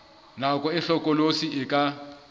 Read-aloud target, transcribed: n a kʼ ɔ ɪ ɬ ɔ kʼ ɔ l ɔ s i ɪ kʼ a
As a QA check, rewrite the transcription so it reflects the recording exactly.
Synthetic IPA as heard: n a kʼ ɔ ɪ ɬ ɔ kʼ ɔ l o s i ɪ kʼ a